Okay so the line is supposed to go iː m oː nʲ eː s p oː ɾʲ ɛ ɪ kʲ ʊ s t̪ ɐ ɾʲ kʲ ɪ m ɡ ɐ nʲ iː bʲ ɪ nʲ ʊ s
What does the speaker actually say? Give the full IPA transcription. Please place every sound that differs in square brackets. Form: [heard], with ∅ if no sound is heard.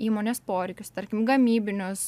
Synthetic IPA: iː m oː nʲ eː s p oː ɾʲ ɛ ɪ kʲ ʊ s t̪ ɐ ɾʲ kʲ ɪ m ɡ ɐ [mʲ] iː bʲ ɪ nʲ ʊ s